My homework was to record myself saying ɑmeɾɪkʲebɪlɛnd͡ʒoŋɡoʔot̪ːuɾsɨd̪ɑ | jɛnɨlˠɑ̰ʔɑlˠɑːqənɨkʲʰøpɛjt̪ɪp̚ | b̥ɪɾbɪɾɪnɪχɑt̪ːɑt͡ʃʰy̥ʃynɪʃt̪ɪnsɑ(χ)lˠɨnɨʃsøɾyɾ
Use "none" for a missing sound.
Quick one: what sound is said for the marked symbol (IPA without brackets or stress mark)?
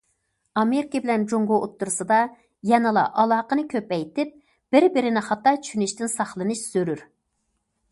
χ